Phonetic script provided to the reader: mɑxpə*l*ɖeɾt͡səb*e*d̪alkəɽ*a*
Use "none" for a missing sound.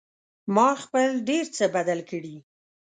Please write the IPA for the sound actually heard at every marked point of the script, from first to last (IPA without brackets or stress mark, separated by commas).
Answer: l, a, i